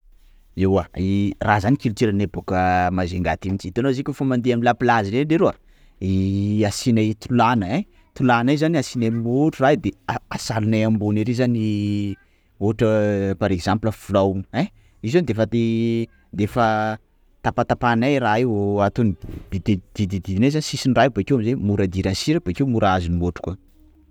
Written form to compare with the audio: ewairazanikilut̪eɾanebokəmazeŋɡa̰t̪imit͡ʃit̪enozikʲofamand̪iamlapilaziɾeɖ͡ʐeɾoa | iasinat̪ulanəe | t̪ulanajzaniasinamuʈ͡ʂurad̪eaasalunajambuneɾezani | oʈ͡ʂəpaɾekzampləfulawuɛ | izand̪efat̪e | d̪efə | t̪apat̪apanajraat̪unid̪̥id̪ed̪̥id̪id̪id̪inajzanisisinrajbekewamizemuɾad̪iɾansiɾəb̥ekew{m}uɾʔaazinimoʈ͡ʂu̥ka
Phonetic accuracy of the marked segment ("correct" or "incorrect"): correct